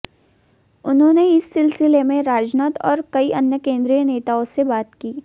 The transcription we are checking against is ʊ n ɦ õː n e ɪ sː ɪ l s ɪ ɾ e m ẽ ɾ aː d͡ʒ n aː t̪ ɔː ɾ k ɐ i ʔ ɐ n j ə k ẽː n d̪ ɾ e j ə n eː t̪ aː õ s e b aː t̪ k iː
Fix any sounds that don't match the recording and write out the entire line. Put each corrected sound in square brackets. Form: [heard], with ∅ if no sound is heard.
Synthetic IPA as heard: ʊ n ɦ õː n e ɪ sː ɪ l s ɪ [l] e m ẽ ɾ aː d͡ʒ n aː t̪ ɔː ɾ k ɐ i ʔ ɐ n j ə k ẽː n d̪ ɾ [i] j ə n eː t̪ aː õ s e b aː t̪ k iː